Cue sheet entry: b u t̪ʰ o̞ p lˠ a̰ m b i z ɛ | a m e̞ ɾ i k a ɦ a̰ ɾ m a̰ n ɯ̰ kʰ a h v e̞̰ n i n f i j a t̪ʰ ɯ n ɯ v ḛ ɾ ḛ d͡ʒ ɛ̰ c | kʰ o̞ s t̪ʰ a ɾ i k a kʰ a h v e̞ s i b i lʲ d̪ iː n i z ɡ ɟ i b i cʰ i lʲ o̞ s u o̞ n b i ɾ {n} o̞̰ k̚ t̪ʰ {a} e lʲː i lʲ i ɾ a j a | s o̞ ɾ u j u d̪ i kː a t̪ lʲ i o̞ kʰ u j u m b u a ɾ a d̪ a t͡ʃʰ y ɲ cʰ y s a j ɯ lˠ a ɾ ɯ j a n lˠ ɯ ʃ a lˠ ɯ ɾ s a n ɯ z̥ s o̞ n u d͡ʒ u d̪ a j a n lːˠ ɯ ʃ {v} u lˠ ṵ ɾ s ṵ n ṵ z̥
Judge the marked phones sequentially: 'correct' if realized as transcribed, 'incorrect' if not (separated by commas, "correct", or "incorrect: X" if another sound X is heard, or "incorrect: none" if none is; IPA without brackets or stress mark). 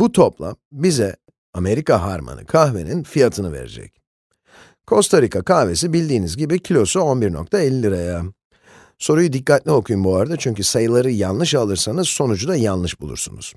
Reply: correct, correct, incorrect: b